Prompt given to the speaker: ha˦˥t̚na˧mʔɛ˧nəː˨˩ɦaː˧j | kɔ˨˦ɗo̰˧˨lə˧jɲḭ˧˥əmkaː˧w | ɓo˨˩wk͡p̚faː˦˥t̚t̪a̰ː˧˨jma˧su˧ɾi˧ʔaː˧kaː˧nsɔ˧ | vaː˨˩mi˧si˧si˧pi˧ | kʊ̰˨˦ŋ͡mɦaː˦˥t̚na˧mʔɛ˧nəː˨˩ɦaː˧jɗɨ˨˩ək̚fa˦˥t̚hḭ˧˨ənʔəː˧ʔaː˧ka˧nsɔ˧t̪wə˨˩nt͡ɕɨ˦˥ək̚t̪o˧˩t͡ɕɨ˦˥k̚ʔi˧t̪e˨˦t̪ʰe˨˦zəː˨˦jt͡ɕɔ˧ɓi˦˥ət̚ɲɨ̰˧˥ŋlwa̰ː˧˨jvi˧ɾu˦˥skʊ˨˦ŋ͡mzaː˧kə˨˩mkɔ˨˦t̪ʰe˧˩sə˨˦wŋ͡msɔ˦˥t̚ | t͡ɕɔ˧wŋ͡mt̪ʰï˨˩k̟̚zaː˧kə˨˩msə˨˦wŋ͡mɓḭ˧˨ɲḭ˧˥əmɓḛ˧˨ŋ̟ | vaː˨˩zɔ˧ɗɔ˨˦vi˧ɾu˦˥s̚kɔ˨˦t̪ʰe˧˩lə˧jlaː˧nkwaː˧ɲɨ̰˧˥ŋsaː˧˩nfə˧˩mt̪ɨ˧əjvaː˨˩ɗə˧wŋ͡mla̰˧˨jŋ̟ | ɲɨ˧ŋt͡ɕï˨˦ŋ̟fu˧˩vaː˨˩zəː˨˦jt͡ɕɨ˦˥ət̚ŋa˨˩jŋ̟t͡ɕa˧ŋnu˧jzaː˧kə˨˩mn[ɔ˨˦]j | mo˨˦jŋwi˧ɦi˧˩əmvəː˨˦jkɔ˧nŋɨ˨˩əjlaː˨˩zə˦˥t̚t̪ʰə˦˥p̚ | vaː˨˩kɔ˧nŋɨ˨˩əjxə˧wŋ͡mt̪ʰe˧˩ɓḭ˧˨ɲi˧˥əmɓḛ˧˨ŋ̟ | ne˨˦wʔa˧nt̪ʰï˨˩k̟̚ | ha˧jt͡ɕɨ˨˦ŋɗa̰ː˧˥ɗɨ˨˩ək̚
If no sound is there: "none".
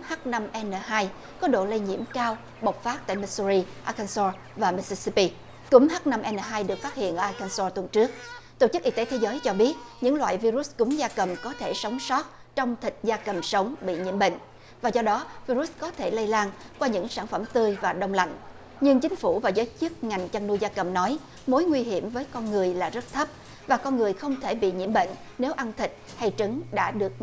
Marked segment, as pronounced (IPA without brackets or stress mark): ɔ˨˦